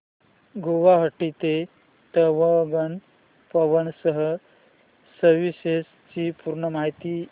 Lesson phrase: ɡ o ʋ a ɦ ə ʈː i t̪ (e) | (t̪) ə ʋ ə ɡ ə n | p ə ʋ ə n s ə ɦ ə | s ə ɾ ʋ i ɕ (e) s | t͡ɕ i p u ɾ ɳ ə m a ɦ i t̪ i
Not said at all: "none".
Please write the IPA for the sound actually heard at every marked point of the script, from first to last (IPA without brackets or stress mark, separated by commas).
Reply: e, t̪, e